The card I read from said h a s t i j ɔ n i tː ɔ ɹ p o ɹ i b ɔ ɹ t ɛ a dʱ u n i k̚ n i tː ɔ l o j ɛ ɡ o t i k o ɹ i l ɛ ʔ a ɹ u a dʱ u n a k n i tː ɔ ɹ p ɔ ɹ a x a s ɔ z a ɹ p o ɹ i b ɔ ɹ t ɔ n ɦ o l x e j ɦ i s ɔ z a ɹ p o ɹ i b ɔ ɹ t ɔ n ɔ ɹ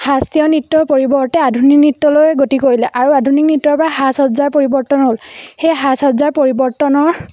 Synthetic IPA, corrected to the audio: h a s t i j ɔ n i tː ɔ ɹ p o ɹ i b ɔ ɹ t ɛ a dʱ u n i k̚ n i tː ɔ l o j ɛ ɡ o t i k o ɹ i l ɛ ʔ a ɹ u a dʱ u n i k n i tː ɔ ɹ p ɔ ɹ a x a s ɔ z a ɹ p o ɹ i b ɔ ɹ t ɔ n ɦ o l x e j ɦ a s ɔ z a ɹ p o ɹ i b ɔ ɹ t ɔ n ɔ ɹ

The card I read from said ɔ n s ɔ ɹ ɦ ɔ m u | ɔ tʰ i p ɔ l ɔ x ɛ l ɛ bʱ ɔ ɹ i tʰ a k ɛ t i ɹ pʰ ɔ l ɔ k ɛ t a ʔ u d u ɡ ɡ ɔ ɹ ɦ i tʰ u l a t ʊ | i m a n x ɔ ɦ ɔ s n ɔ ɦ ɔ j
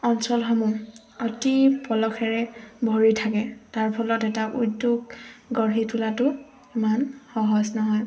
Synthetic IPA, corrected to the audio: ɔ n s ɔ l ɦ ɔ m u | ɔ t i p ɔ l ɔ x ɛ ɹ ɛ bʱ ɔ ɹ i tʰ a k ɛ t a ɹ pʰ ɔ l ɔ t ɛ t a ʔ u d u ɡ ɡ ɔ ɹ ɦ i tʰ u l a t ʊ | i m a n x ɔ ɦ ɔ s n ɔ ɦ ɔ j

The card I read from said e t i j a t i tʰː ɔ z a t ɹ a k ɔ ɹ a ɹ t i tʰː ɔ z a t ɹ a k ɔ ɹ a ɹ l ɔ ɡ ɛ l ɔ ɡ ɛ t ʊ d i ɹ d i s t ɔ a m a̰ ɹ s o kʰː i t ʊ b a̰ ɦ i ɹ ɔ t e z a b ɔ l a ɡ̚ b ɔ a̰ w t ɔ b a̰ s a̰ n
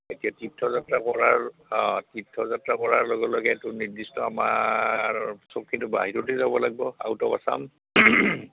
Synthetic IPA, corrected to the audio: e t i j a t i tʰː ɔ z a t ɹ a k ɔ ɹ a ɹ t i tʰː ɔ z a t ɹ a k ɔ ɹ a ɹ l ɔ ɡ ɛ l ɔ ɡ ɛ t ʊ n i ɹ d i s t ɔ a m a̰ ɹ s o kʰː i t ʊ b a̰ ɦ i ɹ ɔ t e z a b ɔ l a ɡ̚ b ɔ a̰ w t ɔ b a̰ s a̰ m

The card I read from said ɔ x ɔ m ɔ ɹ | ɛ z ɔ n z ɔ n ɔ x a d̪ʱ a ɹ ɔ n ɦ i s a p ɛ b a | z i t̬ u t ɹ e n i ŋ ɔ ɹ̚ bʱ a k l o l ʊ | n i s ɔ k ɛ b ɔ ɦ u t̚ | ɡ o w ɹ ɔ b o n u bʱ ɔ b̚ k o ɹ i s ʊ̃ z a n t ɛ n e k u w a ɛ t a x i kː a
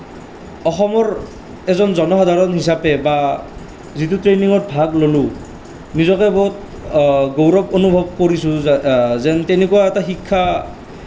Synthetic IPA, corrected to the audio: ɔ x ɔ m ɔ ɹ | ɛ z ɔ n z ɔ n ɔ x a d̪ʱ a ɹ ɔ n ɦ i s a p ɛ b a | z i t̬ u t ɹ e n i ŋ ɔ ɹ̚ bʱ a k l o l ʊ | n i z ɔ k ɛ b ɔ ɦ u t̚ | ɡ o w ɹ ɔ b o n u bʱ ɔ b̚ k o ɹ i s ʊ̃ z ɛ n t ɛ n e k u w a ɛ t a x i kʰː a

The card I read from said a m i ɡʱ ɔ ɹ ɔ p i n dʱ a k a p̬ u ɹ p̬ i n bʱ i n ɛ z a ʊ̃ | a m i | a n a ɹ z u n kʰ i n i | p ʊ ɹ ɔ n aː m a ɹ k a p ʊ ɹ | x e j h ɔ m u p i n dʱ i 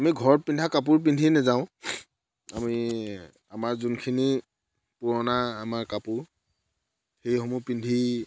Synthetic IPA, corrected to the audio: a m i ɡʱ ɔ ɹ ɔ p i n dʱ a k a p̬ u ɹ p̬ i n dʱ i n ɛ z a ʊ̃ | a m i | a m a ɹ z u n kʰ i n i | p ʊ ɹ ɔ n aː m a ɹ k a p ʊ ɹ | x e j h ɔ m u p i n dʱ i

